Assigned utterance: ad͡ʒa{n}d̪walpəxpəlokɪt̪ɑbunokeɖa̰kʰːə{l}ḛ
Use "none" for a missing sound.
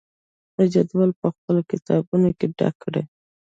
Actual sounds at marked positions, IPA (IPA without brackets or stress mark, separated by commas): none, ɽ